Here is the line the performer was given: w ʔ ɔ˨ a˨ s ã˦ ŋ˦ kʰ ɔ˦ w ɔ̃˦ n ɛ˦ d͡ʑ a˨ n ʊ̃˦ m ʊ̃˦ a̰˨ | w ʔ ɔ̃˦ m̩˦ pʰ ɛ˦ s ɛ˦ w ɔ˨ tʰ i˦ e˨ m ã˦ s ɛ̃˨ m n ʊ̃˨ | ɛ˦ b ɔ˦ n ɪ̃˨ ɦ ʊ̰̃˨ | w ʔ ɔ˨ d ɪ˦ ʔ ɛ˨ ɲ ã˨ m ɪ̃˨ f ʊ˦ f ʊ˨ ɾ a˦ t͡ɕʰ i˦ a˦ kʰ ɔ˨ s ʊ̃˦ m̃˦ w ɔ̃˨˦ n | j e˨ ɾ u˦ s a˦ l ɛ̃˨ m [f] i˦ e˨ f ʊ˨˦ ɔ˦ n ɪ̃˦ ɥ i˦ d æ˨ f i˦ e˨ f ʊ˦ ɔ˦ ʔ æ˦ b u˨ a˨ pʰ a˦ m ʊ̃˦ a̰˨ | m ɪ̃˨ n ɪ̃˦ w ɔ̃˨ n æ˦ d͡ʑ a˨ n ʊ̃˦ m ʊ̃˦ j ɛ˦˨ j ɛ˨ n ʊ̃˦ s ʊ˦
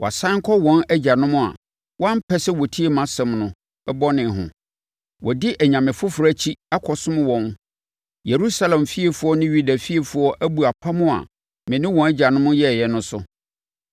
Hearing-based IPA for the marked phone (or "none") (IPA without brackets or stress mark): f